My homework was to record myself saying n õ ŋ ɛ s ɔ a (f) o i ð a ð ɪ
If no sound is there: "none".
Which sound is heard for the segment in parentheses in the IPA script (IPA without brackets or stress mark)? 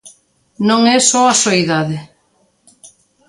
s